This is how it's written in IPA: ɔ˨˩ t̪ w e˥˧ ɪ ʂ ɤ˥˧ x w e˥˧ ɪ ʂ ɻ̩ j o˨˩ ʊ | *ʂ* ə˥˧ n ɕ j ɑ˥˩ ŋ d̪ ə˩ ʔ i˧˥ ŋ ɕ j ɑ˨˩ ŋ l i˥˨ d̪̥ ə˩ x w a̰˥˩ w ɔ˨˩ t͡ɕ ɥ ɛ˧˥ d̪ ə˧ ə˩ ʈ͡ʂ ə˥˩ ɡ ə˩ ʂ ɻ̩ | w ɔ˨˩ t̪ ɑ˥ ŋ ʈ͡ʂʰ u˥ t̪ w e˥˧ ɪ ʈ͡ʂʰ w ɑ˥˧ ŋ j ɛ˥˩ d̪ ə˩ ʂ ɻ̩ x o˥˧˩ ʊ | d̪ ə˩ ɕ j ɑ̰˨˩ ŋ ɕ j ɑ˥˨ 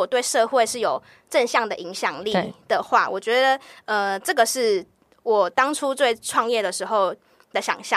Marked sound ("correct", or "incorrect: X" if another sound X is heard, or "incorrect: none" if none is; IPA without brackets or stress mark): incorrect: ʈ͡ʂ